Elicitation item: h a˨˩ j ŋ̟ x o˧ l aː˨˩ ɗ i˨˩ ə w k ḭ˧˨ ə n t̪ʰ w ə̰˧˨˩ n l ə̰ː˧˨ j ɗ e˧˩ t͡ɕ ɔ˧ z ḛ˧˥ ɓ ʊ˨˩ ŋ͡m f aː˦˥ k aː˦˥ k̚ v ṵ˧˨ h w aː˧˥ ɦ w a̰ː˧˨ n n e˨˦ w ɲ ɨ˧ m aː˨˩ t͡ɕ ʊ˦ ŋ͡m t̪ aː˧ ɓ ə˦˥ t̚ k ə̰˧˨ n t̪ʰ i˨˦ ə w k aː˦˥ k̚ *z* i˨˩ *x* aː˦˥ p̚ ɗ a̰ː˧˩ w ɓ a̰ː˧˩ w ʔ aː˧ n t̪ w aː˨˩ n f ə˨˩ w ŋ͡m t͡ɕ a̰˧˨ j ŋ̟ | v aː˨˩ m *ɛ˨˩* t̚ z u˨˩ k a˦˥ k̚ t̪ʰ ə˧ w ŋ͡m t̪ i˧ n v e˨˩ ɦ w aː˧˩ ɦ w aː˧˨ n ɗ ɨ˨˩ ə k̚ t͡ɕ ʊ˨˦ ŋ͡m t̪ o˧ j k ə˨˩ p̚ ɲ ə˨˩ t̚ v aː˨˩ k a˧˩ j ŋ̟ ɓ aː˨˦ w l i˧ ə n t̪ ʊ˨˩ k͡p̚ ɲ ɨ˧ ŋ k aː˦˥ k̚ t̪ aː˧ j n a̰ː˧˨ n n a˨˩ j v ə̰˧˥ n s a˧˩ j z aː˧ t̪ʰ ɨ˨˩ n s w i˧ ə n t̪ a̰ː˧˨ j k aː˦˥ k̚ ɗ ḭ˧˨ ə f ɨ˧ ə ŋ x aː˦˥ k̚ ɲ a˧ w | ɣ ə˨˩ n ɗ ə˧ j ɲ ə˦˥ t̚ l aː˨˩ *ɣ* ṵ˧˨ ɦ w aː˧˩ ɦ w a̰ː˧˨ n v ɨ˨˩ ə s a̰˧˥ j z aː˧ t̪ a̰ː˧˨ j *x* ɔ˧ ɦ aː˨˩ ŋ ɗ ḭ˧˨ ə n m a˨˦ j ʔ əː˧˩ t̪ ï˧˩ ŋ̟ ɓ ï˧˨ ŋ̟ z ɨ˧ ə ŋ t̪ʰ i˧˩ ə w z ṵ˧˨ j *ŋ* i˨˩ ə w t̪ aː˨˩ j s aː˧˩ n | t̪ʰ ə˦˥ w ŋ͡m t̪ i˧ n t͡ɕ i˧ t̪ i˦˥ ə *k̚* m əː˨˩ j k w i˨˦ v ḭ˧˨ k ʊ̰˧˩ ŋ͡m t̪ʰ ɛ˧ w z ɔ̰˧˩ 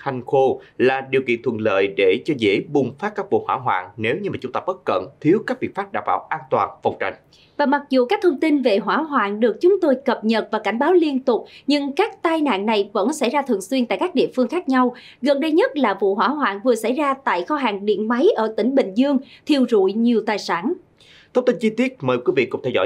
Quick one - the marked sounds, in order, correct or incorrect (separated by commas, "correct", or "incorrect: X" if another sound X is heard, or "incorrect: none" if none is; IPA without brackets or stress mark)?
incorrect: v, incorrect: f, incorrect: a˨˩, incorrect: v, correct, incorrect: ɲ, incorrect: t̚